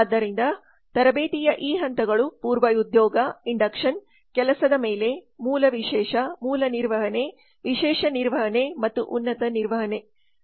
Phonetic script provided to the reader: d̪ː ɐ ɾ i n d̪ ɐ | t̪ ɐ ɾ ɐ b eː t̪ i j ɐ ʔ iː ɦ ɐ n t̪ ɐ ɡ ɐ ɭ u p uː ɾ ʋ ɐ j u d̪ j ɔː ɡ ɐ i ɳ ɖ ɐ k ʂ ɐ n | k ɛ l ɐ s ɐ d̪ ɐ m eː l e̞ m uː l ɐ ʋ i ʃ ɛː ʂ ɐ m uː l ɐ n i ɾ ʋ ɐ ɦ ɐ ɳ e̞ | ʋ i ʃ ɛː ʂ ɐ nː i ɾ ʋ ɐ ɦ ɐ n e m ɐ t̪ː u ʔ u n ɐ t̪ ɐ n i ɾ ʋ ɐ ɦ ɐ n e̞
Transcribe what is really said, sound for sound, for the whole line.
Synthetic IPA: d̪ː ɐ ɾ i n d̪ ɐ | t̪ ɐ ɾ ɐ b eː t̪ i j ɐ ʔ iː ɦ ɐ n t̪ ɐ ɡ ɐ ɭ u p uː ɾ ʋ ɐ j u d̪ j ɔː ɡ ɐ i ɳ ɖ ɐ k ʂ ɐ n | k ɛ l ɐ s ɐ d̪ ɐ m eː l e̞ m uː l ɐ ʋ i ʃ ɛː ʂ ɐ m uː l ɐ n i ɾ ʋ ɐ ɦ ɐ n e̞ | ʋ i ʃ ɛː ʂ ɐ n i ɾ ʋ ɐ ɦ ɐ n e m ɐ t̪ː u ʔ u nː ɐ t̪ ɐ n i ɾ ʋ ɐ ɦ ɐ n e̞